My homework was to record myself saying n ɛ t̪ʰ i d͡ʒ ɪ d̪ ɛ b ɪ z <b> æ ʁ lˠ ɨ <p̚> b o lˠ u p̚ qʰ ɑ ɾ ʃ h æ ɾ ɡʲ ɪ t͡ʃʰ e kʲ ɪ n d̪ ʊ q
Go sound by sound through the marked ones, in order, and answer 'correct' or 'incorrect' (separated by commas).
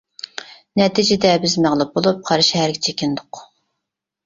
incorrect, correct